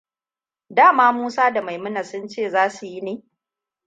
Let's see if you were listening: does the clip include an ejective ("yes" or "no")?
no